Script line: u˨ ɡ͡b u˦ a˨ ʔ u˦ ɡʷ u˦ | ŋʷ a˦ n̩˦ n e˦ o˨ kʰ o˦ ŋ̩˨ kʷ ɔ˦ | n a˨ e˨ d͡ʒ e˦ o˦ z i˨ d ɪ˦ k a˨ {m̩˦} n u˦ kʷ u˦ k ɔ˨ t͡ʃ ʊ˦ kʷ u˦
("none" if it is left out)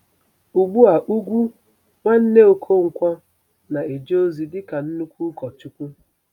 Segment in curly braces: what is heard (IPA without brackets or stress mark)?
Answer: n̩˦